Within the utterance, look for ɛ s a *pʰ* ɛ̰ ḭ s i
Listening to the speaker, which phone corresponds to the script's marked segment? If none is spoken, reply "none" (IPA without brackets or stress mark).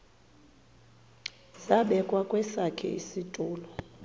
kʰ